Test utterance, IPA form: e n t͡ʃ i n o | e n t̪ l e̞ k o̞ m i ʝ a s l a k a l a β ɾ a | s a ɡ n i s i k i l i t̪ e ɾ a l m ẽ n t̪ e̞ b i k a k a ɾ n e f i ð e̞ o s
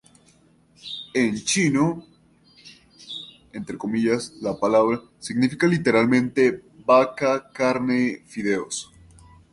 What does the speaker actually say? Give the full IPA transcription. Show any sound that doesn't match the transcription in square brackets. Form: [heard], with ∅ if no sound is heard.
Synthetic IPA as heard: e n t͡ʃ i n o | e n t̪ [ɾ] e̞ k o̞ m i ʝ a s l a [p] a l a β ɾ a | s [i] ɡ n i [f] i k [a] l i t̪ e ɾ a l m ẽ n t̪ e̞ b [a] k a k a ɾ n e f i ð e̞ o s